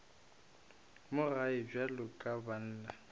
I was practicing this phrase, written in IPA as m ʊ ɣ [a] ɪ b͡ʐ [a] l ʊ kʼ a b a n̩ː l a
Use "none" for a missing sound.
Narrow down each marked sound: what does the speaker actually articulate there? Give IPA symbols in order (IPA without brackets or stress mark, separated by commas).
a, a